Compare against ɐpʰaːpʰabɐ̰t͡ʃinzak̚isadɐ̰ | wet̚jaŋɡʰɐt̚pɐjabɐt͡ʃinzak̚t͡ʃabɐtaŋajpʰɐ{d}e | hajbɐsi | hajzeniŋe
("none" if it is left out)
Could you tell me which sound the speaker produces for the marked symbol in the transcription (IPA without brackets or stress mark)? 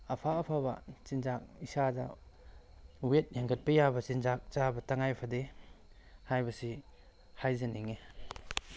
d